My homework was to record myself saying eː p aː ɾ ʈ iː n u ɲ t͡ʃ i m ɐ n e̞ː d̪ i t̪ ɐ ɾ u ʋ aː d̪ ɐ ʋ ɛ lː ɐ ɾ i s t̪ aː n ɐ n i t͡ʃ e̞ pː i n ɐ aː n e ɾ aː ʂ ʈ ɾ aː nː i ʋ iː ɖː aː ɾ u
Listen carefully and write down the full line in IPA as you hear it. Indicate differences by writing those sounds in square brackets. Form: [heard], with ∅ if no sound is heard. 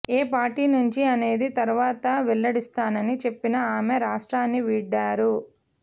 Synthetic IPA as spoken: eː p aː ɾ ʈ iː n u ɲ t͡ʃ i [∅] ɐ n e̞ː d̪ i t̪ ɐ ɾ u ʋ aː [t̪] ɐ ʋ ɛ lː ɐ [ɽ] i s t̪ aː n ɐ n i t͡ʃ e̞ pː i n ɐ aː [m] e ɾ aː ʂ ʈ ɾ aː nː i ʋ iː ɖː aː ɾ u